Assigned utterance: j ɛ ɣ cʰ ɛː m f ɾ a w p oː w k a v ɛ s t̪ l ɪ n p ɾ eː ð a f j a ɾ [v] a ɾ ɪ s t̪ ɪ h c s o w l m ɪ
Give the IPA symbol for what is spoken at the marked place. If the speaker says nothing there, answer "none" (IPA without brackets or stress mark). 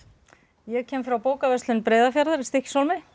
ð